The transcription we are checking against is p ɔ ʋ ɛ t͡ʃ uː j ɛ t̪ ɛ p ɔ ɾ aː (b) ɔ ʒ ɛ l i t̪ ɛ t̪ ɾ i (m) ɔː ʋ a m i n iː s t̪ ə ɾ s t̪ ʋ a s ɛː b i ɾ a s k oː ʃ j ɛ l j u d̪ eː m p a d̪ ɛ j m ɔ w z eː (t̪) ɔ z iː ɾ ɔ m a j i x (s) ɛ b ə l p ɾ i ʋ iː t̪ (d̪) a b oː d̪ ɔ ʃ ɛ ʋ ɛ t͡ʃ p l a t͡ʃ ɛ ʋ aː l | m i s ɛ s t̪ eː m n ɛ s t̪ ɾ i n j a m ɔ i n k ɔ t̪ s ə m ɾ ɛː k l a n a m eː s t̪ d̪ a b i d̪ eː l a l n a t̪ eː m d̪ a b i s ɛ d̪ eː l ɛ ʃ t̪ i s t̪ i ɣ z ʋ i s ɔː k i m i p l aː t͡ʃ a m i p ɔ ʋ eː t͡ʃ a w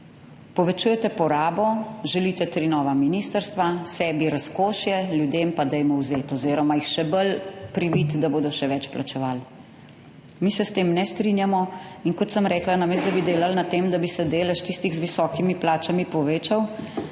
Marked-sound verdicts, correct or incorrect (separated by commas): correct, incorrect, correct, incorrect, correct